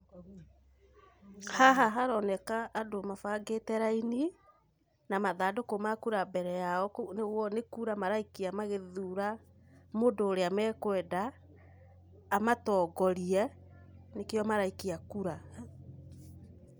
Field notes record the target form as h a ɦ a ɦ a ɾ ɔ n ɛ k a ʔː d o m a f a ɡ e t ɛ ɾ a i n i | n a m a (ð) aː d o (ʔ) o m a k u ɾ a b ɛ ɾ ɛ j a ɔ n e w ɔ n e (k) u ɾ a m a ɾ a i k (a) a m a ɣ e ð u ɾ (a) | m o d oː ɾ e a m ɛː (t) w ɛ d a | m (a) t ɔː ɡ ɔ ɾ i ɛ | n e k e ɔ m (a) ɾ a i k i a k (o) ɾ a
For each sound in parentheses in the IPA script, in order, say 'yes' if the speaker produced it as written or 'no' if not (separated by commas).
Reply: yes, no, yes, no, yes, no, yes, yes, no